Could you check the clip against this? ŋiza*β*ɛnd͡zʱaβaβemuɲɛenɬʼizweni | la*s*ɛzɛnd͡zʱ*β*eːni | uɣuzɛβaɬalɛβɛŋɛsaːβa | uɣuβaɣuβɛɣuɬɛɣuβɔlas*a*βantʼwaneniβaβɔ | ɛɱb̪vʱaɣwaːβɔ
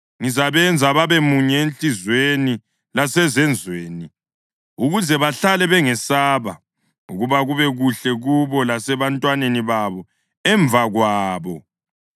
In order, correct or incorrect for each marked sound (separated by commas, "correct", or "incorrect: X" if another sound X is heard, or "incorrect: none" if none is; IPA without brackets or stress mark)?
correct, correct, incorrect: w, incorrect: ɛ